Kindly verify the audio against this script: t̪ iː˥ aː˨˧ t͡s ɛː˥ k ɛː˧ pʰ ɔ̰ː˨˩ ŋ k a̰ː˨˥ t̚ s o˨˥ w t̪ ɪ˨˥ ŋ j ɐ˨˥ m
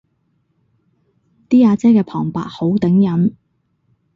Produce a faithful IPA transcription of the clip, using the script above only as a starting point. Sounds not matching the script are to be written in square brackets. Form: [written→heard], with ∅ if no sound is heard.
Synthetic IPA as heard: t̪ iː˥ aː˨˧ t͡s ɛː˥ k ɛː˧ pʰ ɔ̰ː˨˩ ŋ [k→p] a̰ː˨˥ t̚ [s→h] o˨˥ w t̪ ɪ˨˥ ŋ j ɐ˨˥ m

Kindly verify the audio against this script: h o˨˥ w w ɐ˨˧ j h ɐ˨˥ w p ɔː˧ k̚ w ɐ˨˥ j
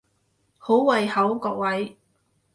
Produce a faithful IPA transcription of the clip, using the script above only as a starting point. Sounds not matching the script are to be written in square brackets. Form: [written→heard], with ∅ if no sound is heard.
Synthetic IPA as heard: h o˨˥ w w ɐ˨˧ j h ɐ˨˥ w [p→k] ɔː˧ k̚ w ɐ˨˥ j

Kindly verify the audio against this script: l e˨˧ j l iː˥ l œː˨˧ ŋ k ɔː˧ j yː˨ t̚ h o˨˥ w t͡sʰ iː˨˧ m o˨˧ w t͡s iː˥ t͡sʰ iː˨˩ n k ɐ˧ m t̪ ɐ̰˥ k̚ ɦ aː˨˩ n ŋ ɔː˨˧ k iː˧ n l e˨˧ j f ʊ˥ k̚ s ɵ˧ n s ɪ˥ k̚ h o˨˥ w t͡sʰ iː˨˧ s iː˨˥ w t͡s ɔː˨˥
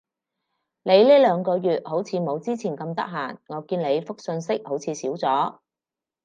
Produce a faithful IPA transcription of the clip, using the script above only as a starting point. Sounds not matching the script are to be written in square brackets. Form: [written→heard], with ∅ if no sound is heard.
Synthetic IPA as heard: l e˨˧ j l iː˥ l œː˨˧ ŋ k ɔː˧ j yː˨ t̚ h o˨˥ w t͡sʰ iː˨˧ m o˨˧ w t͡s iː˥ t͡sʰ iː˨˩ n k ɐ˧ m t̪ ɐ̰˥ k̚ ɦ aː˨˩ n ŋ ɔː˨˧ k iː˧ n l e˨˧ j f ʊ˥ k̚ s ɵ˧ n s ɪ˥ k̚ h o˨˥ w t͡sʰ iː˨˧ s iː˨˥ w t͡s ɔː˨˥

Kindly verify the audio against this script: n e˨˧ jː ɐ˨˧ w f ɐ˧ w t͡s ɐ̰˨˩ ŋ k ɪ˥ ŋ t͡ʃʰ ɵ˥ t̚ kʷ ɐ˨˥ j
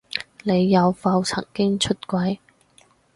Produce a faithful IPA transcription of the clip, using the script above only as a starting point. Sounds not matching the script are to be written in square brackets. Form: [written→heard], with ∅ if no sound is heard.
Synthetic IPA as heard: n e˨˧ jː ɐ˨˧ w f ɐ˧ w [t͡s→t͡sʰ] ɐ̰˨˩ ŋ k ɪ˥ ŋ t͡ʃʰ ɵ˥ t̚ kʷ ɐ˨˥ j

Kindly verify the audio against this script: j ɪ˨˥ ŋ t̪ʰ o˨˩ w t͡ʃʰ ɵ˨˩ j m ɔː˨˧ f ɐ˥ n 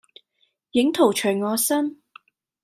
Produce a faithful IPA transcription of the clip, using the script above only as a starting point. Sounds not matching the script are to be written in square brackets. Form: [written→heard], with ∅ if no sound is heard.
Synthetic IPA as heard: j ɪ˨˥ ŋ t̪ʰ o˨˩ w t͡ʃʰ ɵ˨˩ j [m→ŋ] ɔː˨˧ [f→s] ɐ˥ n

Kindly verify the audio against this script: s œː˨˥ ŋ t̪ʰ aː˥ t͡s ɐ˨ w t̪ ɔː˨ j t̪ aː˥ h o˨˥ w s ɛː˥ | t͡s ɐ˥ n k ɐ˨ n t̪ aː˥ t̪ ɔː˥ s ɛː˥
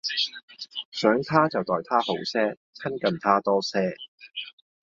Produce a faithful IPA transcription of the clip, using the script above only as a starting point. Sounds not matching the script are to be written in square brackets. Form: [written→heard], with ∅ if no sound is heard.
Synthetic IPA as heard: s œː˨˥ ŋ t̪ʰ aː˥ t͡s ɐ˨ w t̪ ɔː˨ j [t̪→t̪ʰ] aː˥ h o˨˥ w s ɛː˥ | [t͡s→t͡sʰ] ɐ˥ n k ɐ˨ n [t̪→t̪ʰ] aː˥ t̪ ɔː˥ s ɛː˥

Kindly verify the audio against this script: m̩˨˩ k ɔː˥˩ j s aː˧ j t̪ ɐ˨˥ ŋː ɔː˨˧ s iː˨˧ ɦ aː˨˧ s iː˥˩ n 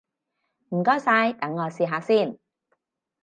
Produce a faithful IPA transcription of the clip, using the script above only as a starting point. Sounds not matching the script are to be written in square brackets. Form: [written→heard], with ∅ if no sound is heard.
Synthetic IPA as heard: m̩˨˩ k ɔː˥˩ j s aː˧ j t̪ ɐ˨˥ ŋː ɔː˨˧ s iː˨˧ ɦ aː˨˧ s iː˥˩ n

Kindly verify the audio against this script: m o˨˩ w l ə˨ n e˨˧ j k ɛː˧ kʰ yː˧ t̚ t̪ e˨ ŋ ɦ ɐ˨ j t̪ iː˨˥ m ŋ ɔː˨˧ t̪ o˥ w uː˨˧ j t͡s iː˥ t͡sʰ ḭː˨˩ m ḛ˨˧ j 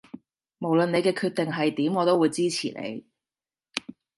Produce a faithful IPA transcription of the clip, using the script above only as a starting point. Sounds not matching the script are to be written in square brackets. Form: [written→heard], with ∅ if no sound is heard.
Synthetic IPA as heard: m o˨˩ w l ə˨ n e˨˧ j k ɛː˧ kʰ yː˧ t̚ t̪ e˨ ŋ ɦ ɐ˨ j t̪ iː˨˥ m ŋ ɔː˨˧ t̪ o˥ w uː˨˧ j t͡s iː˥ t͡sʰ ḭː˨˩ [m→n] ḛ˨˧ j

